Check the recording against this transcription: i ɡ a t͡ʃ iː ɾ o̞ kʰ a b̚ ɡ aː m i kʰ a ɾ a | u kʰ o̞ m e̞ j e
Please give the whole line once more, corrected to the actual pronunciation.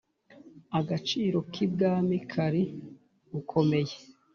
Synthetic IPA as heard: a ɡ a t͡ʃ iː ɾ o̞ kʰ i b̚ ɡ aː m i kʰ a ɾ i | u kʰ o̞ m e̞ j e